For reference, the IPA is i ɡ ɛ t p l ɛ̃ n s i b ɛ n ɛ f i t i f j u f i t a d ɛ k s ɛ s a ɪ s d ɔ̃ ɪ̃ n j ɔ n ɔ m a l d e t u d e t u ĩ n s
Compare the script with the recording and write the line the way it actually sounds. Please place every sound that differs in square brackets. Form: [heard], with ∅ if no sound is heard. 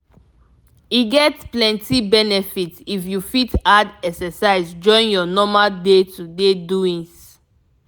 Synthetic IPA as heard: i ɡ ɛ t p l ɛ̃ n [t] i b ɛ n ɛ f i t i f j u f i t a d ɛ k s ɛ s a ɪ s [d͡ʒ] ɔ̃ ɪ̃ n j ɔ n ɔ m a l d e t u d e [d] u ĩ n s